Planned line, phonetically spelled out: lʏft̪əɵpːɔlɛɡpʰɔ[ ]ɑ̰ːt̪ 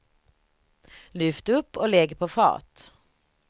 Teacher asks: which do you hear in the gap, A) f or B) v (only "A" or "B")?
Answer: A